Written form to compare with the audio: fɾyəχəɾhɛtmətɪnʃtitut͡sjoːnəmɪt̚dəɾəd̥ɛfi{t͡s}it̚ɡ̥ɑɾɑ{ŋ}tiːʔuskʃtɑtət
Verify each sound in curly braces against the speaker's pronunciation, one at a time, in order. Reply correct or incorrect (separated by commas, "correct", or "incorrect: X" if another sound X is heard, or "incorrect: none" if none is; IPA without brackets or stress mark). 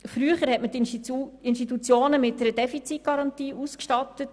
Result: correct, incorrect: n